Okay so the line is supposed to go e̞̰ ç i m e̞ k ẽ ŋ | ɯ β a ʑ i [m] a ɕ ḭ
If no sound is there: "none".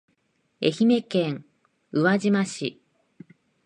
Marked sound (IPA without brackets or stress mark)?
m